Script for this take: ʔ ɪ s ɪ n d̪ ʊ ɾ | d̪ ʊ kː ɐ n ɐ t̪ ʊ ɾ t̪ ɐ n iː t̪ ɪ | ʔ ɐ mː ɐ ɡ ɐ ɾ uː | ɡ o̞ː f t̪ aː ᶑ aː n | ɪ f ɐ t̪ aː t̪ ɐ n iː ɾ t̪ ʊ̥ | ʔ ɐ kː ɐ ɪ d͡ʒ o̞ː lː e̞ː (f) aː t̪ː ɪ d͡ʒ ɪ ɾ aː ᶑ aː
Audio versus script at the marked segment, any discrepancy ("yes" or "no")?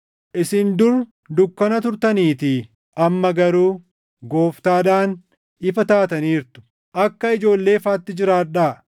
no